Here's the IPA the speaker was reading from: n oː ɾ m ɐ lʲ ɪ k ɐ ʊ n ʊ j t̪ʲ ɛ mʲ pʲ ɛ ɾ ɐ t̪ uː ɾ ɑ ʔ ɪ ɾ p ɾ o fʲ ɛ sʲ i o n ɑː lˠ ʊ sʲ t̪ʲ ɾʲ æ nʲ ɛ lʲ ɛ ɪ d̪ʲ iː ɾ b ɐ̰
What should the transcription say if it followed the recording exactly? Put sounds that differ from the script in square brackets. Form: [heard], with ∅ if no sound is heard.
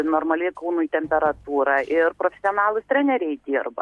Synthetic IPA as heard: n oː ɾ m ɐ lʲ ɪ k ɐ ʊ n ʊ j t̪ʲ ɛ mʲ pʲ ɛ ɾ ɐ t̪ uː ɾ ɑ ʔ ɪ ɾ p ɾ o fʲ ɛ sʲ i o n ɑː lˠ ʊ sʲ t̪ʲ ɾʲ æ nʲ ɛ [ɾʲ] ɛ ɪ d̪ʲ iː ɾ b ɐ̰

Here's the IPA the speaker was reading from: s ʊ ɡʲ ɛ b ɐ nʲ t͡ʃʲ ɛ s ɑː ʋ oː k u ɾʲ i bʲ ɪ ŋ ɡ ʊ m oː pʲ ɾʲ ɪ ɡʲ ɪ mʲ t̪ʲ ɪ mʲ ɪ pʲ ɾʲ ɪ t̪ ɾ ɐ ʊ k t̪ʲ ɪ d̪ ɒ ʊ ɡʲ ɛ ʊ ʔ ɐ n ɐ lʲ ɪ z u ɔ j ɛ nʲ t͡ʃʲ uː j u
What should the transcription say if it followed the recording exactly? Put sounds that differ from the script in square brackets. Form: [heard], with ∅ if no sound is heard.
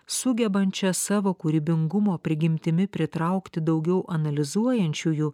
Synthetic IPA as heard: s ʊ ɡʲ ɛ b ɐ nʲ t͡ʃʲ ɛ s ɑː ʋ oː k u ɾʲ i bʲ ɪ ŋ ɡ ʊ m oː pʲ ɾʲ ɪ ɡʲ ɪ mʲ t̪ʲ ɪ mʲ ɪ pʲ ɾʲ ɪ t̪ ɾ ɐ ʊ k t̪ʲ ɪ d̪ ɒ ʊ ɡʲ ɛ ʊ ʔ ɐ n ɐ lʲ ɪ z u ɔ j ɛ nʲ t͡ʃʲ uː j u

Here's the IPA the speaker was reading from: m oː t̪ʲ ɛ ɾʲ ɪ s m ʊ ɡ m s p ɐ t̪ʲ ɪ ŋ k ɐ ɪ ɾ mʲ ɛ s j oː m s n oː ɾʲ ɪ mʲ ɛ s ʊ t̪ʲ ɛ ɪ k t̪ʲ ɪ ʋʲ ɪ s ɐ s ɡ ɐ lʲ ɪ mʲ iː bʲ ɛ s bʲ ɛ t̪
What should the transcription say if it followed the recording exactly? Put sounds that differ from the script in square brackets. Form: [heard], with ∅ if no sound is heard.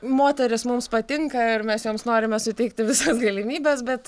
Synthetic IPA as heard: m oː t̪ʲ ɛ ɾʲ ɪ s m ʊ [∅] m s p ɐ t̪ʲ ɪ ŋ k ɐ ɪ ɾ mʲ ɛ s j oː m s n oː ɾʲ ɪ mʲ ɛ s ʊ t̪ʲ ɛ ɪ k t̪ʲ ɪ ʋʲ ɪ s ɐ s ɡ ɐ lʲ ɪ mʲ iː bʲ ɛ s bʲ ɛ t̪

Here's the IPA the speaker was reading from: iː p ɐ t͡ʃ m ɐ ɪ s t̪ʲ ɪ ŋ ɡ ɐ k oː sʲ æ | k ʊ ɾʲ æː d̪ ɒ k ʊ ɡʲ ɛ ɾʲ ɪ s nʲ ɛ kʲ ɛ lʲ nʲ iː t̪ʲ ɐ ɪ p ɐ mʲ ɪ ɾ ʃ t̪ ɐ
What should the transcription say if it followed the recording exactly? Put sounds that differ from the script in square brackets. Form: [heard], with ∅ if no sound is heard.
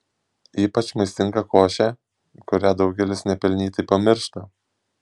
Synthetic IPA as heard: iː p ɐ t͡ʃ m ɐ ɪ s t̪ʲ ɪ ŋ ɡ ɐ k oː [ʃʲ] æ | k ʊ ɾʲ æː d̪ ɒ [∅] ʊ ɡʲ ɛ [lʲ] ɪ s nʲ ɛ [pʲ] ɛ lʲ nʲ iː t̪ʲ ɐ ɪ p ɐ mʲ ɪ ɾ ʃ t̪ ɐ

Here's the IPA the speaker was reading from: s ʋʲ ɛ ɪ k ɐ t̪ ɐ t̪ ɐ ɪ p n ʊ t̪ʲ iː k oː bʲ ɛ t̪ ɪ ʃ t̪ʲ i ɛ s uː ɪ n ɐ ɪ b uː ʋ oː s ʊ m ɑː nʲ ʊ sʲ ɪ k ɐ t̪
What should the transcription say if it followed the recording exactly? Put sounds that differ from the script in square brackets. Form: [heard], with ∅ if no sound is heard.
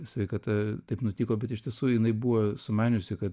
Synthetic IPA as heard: s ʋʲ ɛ ɪ k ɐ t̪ ɐ t̪ ɐ ɪ p n ʊ t̪ʲ iː k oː bʲ ɛ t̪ ɪ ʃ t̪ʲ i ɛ s uː ɪ n ɐ ɪ b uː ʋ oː s ʊ m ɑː nʲ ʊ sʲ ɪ k ɐ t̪

